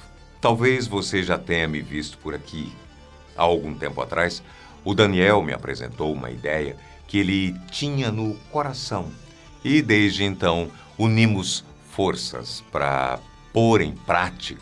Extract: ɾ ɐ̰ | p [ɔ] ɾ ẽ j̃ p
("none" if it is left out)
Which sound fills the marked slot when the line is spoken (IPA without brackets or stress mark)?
o